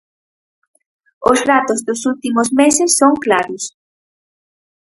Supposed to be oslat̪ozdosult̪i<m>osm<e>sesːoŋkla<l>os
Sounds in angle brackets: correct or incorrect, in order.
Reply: correct, correct, incorrect

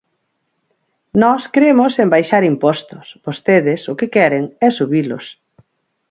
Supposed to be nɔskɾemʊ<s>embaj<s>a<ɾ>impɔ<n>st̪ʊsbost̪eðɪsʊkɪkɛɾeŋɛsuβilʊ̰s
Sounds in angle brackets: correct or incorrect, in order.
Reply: correct, incorrect, correct, incorrect

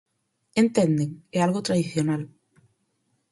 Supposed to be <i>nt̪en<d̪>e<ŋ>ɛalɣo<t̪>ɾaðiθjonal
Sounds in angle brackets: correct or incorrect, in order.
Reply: incorrect, correct, correct, correct

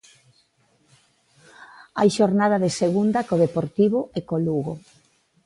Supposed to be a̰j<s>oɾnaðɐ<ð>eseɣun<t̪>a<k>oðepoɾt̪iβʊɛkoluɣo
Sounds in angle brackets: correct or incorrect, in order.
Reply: incorrect, correct, incorrect, correct

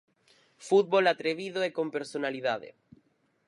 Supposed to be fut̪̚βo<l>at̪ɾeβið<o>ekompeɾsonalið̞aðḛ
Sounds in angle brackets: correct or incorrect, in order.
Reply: correct, correct

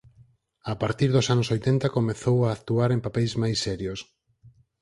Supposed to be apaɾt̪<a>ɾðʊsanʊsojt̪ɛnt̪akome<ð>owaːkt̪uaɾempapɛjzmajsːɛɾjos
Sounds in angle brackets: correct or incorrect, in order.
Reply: incorrect, incorrect

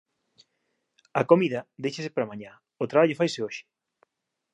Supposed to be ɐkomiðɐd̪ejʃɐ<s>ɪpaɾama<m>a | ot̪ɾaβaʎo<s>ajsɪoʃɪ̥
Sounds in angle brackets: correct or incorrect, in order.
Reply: correct, incorrect, incorrect

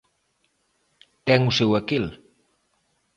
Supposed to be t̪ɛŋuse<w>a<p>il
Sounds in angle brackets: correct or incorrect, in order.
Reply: correct, incorrect

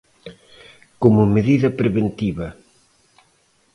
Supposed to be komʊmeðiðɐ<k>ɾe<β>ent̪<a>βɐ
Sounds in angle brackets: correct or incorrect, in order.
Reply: incorrect, correct, incorrect

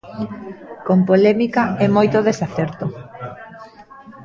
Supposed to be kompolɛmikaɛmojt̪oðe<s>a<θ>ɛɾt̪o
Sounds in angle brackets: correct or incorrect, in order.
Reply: correct, correct

